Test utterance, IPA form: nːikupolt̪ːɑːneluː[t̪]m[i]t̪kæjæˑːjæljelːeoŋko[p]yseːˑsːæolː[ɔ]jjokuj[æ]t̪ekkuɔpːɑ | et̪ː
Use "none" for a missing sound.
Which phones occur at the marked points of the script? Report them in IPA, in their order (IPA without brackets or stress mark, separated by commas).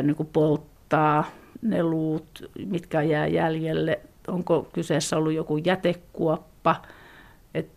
t̪, i, k, u, æ